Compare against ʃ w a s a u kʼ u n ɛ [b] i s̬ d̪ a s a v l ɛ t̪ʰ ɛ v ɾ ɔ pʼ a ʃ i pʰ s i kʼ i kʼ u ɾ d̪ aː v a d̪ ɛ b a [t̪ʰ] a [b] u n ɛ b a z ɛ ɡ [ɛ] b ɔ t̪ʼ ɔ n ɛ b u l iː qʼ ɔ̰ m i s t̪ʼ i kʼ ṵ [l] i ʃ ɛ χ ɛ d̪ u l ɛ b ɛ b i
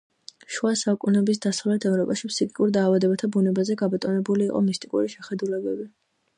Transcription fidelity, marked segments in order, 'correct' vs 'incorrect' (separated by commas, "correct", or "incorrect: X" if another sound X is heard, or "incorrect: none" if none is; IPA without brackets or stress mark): correct, correct, correct, incorrect: a, incorrect: ɾ